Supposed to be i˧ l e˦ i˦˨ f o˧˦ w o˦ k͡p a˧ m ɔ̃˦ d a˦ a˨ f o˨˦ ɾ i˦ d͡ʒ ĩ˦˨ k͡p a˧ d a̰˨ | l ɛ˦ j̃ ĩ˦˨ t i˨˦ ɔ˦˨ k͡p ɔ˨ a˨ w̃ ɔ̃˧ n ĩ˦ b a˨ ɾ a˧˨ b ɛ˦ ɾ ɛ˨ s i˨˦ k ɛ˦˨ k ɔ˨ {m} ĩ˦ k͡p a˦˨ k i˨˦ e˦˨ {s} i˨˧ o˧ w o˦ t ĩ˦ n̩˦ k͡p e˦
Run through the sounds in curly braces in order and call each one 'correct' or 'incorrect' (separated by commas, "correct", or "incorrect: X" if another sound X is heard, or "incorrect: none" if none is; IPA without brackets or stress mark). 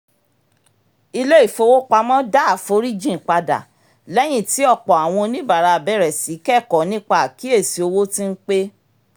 incorrect: n, correct